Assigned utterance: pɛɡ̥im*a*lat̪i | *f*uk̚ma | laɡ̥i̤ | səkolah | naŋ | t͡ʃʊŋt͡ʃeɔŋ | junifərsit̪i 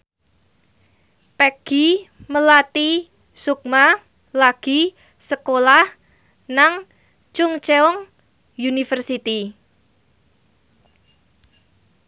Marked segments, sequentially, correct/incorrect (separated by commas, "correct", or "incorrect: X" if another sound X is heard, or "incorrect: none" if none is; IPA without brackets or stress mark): incorrect: ə, incorrect: s